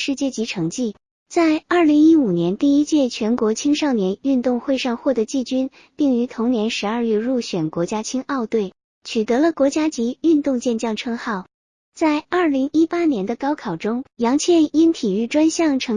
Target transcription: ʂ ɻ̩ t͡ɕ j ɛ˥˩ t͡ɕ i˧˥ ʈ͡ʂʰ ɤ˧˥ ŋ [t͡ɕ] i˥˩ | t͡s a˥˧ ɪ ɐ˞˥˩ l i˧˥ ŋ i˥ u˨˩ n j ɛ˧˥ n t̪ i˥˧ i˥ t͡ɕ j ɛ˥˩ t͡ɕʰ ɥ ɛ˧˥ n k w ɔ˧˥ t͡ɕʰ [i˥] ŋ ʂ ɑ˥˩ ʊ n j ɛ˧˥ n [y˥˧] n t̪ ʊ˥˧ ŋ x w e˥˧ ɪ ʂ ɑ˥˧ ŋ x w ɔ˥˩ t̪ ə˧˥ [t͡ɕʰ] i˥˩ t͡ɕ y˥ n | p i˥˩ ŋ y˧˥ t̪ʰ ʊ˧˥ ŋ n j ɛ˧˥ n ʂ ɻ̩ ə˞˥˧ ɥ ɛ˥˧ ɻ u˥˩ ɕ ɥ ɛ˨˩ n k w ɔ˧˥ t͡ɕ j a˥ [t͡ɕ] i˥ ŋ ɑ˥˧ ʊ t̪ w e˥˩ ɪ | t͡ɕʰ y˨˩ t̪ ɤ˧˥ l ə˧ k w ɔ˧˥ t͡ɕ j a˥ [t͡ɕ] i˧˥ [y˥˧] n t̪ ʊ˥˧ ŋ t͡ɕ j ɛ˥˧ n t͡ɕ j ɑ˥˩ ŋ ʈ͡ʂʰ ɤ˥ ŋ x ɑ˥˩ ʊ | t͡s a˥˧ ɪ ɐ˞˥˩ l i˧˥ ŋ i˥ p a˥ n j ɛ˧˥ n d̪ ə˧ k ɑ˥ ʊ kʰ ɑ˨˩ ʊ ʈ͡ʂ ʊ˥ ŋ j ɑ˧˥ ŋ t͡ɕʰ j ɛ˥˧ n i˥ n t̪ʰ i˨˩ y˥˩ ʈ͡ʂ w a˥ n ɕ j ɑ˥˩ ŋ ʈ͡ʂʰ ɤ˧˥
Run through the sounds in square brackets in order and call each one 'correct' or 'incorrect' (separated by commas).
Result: correct, correct, correct, incorrect, incorrect, correct, correct